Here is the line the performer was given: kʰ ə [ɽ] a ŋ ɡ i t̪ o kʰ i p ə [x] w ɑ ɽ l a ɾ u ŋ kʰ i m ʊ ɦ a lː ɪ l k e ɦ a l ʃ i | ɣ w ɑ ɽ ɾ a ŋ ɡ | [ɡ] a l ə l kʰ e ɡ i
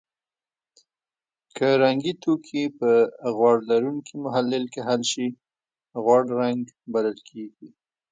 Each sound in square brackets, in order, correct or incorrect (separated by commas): incorrect, incorrect, incorrect